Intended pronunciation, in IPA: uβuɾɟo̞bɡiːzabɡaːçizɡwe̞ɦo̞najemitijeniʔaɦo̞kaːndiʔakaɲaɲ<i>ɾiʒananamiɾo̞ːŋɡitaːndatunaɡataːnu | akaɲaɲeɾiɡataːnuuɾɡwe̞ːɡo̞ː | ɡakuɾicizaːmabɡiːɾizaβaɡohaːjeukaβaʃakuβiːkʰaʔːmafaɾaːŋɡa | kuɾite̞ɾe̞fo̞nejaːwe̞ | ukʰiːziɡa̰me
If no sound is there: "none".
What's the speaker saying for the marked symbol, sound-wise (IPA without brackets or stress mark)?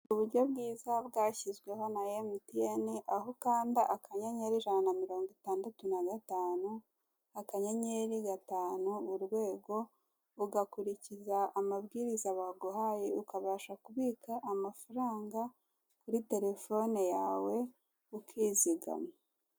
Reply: e